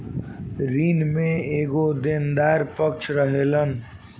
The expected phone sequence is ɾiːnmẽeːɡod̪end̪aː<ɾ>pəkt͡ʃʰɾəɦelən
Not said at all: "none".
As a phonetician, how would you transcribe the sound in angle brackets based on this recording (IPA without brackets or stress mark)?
ɾ